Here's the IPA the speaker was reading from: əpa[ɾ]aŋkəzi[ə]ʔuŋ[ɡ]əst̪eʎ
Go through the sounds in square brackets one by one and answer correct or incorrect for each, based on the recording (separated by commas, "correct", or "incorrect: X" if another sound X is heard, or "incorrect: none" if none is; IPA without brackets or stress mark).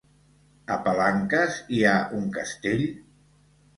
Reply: incorrect: l, incorrect: a, incorrect: k